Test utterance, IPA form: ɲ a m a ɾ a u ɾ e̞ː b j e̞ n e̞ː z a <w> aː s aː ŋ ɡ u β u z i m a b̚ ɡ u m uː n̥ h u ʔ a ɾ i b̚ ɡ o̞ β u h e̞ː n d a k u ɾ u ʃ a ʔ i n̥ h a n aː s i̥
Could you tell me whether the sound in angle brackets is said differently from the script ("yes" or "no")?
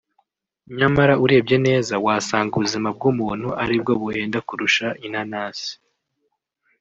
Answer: no